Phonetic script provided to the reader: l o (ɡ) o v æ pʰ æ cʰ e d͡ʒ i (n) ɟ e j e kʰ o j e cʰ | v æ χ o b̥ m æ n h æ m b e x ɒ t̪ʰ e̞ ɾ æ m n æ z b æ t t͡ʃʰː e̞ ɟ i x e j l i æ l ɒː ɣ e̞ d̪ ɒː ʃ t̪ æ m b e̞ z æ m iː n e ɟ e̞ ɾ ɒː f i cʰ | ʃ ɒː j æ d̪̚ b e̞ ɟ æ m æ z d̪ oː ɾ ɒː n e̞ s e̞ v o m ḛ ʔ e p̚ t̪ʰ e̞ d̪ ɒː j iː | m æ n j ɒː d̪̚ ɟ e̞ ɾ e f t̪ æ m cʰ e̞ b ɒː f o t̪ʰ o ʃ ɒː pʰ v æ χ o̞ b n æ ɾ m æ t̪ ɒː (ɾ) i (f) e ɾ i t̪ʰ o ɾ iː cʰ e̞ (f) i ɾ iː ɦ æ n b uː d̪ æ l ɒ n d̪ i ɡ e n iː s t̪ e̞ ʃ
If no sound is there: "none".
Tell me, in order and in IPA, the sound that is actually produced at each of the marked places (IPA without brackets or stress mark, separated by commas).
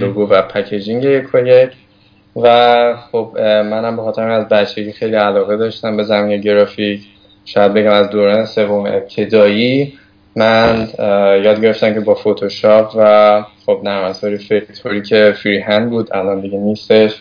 ɡ, ŋ, ɾ, f, f